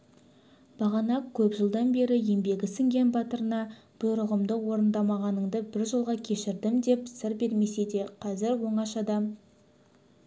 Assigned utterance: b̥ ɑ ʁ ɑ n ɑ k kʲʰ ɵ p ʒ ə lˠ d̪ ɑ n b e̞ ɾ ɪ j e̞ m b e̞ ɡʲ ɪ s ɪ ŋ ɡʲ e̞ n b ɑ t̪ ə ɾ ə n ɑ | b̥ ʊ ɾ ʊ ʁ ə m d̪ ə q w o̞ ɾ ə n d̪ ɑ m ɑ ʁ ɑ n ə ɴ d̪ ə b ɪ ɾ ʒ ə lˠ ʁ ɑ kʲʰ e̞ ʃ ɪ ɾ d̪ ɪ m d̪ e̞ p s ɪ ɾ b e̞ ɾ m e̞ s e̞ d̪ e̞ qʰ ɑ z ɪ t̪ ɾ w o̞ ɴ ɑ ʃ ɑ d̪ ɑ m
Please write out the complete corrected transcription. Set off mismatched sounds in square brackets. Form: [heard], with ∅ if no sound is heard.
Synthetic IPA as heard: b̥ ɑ ʁ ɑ n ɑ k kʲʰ ɵ p ʒ ə lˠ d̪ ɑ n b e̞ ɾ ɪ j e̞ m b e̞ ɡʲ ɪ s ɪ ŋ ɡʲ e̞ n b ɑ t̪ ə ɾ ə n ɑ | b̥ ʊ ɾ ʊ ʁ ə m d̪ ə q w o̞ ɾ ə n d̪ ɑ m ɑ ʁ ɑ n ə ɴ d̪ ə b ɪ ɾ ʒ ə lˠ ʁ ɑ kʲʰ e̞ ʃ ɪ ɾ d̪ ɪ m d̪ e̞ p s ɪ ɾ b e̞ ɾ m e̞ s e̞ d̪ e̞ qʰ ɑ z ɪ [∅] ɾ w o̞ ɴ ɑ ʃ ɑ d̪ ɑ m